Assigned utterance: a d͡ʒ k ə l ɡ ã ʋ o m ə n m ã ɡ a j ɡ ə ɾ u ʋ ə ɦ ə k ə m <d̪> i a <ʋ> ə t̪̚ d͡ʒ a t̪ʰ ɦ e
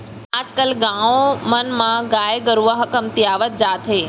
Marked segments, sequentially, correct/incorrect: incorrect, correct

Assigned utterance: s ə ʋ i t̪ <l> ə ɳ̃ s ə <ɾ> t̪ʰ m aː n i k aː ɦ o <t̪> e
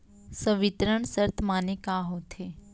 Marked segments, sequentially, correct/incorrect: incorrect, correct, incorrect

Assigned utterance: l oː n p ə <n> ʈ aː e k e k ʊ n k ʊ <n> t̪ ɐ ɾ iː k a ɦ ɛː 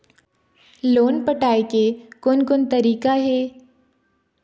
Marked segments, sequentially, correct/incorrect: incorrect, correct

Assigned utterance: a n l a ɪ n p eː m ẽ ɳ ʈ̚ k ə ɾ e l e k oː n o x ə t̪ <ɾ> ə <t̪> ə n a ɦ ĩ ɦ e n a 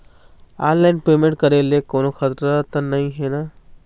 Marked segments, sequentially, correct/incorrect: correct, correct

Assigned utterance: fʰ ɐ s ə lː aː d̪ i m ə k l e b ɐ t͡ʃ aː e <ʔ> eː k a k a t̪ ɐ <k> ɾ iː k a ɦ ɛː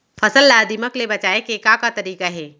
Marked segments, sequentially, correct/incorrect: incorrect, incorrect

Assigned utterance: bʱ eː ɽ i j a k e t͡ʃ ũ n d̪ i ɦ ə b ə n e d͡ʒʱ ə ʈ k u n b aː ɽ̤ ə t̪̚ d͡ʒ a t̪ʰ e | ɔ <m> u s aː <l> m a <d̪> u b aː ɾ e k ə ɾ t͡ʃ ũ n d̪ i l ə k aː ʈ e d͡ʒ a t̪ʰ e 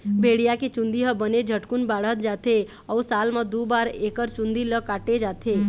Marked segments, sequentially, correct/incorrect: incorrect, correct, correct

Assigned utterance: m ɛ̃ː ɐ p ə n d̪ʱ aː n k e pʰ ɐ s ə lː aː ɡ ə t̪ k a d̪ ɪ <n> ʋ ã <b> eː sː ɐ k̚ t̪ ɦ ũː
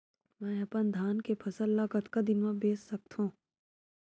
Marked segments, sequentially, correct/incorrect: correct, correct

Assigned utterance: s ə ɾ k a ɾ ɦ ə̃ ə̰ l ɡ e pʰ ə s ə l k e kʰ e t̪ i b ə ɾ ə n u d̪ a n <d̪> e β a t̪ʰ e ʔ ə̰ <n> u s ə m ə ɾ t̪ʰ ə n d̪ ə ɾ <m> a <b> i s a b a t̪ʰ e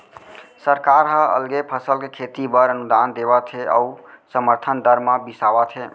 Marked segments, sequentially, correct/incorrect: correct, incorrect, correct, correct

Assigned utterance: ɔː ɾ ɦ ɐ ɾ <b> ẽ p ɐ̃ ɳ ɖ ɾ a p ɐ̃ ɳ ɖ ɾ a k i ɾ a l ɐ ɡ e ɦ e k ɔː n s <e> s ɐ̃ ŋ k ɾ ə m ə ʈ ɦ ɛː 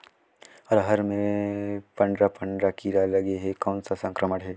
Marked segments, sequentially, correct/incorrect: incorrect, incorrect

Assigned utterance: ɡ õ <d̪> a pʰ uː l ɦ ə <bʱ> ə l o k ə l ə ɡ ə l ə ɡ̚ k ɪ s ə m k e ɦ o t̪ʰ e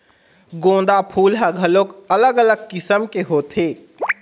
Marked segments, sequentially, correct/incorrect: correct, incorrect

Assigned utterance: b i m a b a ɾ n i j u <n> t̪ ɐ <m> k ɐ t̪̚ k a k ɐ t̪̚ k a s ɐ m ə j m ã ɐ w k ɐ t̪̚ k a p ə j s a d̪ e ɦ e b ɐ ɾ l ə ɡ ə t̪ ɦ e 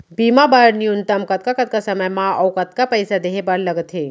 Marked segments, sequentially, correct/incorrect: correct, correct

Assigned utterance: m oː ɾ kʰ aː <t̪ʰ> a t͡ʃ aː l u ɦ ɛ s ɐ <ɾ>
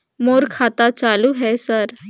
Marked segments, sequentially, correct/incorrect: incorrect, correct

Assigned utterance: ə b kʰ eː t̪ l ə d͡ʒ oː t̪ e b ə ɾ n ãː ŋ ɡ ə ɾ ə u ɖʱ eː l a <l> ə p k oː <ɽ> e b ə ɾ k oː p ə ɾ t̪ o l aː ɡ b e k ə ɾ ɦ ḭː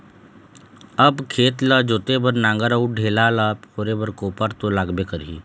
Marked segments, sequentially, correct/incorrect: correct, incorrect

